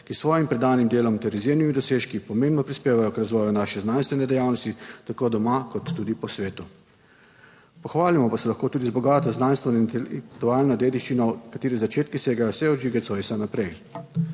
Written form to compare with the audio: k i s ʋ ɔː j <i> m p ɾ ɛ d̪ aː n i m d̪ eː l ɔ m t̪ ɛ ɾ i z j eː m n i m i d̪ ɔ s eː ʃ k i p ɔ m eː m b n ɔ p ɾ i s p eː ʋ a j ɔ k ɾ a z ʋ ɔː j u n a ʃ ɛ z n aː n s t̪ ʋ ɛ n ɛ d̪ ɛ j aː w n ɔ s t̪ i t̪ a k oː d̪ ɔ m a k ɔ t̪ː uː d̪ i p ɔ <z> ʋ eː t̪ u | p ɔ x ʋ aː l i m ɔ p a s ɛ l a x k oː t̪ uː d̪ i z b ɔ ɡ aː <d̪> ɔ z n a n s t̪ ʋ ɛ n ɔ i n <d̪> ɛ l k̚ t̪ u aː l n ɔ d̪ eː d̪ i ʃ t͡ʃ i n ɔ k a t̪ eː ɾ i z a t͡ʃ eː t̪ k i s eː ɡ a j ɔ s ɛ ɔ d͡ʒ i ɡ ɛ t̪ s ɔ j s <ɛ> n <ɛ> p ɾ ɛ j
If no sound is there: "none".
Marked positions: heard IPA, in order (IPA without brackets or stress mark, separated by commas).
i, s, t̪, t̪, a, a